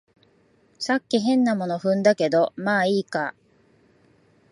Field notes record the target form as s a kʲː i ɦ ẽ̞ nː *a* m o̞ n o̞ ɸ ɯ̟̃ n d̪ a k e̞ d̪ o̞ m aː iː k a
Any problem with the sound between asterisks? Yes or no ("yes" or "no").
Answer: no